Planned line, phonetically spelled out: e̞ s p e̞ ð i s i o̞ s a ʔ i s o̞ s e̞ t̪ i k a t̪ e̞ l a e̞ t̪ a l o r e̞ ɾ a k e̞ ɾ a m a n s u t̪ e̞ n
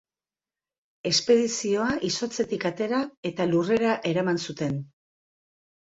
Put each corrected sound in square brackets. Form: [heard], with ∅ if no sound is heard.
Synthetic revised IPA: e̞ s p e̞ ð i s i o̞ [∅] a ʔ i s o̞ [t͡s] e̞ t̪ i k a t̪ e̞ [ɾ] a e̞ t̪ a l [u] r e̞ ɾ a [ʔ] e̞ ɾ a m a n s u t̪ e̞ n